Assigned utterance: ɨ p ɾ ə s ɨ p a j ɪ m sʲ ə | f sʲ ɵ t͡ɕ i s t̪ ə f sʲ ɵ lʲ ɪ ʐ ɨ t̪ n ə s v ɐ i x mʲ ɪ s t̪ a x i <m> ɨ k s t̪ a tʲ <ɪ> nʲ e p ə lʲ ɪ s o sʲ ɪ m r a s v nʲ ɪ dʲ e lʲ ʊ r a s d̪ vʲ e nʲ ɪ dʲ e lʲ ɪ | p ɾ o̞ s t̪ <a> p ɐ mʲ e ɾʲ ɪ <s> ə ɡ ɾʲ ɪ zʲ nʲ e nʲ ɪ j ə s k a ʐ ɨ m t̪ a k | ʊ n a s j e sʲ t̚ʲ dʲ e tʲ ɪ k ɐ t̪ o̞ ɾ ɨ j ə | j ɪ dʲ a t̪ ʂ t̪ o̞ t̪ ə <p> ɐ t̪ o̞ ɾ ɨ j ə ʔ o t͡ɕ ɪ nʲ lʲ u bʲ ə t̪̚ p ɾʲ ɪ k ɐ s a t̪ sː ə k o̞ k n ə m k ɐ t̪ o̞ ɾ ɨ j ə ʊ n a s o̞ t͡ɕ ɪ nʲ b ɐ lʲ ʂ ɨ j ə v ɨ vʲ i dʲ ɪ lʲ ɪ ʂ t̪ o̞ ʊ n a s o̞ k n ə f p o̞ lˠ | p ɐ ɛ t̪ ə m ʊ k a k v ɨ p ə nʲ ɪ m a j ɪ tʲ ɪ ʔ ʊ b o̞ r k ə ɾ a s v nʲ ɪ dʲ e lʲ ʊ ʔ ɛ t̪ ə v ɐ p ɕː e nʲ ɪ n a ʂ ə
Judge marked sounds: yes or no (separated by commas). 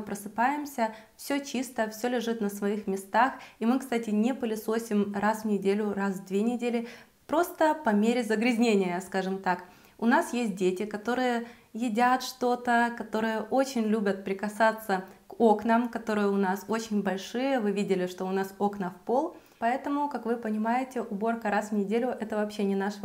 yes, yes, no, no, no